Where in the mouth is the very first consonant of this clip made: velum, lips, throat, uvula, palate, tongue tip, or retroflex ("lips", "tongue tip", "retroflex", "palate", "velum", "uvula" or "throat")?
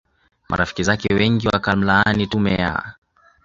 lips